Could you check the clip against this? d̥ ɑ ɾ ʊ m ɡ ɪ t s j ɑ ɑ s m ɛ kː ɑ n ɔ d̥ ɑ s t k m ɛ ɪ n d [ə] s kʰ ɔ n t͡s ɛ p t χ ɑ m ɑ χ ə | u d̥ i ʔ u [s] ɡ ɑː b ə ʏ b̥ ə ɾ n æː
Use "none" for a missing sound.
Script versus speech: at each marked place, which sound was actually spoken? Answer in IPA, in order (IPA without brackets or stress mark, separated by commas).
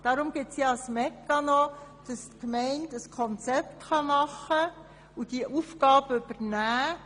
ə, f